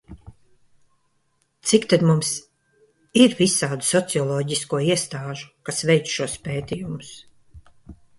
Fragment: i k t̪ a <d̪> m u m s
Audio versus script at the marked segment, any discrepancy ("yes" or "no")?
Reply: no